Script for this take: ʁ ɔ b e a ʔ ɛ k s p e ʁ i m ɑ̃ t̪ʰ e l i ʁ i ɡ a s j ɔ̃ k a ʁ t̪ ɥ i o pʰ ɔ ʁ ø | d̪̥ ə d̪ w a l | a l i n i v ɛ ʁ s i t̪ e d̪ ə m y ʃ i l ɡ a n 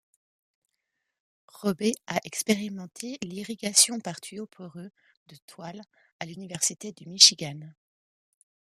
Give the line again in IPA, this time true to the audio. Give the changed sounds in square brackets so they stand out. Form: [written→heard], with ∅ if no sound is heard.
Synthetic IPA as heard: ʁ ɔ b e a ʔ ɛ k s p e ʁ i m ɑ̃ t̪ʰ e l i ʁ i ɡ a s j ɔ̃ [k→p] a ʁ t̪ ɥ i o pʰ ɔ ʁ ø | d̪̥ ə [d̪→t̪] w a l | a l [i→y] n i v ɛ ʁ s i t̪ e d̪ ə m [y→i] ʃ i [l→∅] ɡ a n